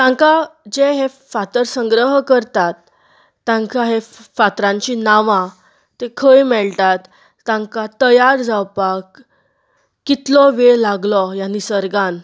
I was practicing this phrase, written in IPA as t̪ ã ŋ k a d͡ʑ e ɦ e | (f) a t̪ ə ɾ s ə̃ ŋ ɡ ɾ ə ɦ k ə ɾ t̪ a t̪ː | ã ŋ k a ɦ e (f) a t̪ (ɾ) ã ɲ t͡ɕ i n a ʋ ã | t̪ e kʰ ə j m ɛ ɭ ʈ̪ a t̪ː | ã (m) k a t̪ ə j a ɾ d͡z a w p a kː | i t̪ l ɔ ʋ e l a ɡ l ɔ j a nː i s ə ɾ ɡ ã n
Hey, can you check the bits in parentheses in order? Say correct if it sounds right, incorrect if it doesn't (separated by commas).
correct, correct, correct, incorrect